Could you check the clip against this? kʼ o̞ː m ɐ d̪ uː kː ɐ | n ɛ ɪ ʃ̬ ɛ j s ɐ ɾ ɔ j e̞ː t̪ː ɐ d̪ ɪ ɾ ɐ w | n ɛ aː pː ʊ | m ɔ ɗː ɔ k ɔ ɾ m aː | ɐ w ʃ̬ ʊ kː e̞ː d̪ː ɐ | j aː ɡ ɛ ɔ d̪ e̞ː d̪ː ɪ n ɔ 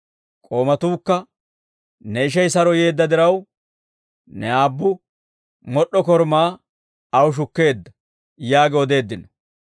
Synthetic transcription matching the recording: kʼ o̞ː m ɐ t̪ uː kː ɐ | n ɛ ɪ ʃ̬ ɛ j s ɐ ɾ ɔ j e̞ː d̪ː ɐ d̪ ɪ ɾ ɐ w | n ɛ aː bː ʊ | m ɔ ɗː ɔ k ɔ ɾ m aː | ɐ w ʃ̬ ʊ kː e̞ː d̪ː ɐ | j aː ɡ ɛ ɔ d̪ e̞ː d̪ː ɪ n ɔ